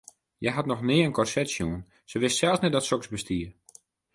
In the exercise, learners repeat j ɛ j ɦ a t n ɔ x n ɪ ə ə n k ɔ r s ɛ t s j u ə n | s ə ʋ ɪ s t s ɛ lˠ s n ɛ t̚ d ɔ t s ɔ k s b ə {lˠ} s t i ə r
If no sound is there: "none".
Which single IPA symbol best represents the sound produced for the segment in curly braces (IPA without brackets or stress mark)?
none